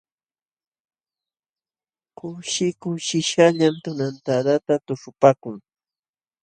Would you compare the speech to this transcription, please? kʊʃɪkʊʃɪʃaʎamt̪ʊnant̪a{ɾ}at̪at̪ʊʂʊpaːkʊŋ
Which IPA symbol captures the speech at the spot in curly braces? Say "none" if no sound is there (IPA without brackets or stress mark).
ɾ